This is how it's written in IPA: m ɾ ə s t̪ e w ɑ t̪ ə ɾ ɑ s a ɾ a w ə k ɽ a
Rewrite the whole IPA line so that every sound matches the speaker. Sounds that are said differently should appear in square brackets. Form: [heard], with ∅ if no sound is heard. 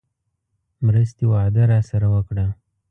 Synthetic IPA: m ɾ ə s t̪ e w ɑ [d̪] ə ɾ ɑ s a ɾ a w ə k ɽ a